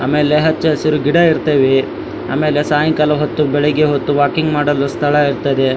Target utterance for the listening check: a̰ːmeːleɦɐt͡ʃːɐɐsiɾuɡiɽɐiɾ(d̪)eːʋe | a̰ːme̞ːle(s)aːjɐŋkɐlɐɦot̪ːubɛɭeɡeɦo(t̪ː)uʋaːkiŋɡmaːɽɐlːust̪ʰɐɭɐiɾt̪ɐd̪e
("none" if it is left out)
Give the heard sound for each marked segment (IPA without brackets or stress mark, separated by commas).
t̪, s, t̪ː